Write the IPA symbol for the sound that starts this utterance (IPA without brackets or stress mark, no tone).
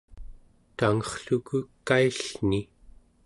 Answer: t̪